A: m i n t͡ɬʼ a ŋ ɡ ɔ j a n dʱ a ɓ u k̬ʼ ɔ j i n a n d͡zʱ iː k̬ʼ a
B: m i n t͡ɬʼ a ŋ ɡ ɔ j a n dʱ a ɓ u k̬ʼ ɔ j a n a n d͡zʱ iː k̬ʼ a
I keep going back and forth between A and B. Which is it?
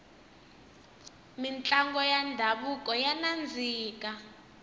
B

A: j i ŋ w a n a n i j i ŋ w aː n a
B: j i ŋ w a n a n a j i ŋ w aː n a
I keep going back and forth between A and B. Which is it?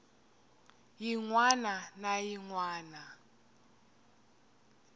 B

